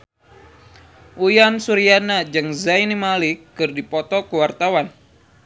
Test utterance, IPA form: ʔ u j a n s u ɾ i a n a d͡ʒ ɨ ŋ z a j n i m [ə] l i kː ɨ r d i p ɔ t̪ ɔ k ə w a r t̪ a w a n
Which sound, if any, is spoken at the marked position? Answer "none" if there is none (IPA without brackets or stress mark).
a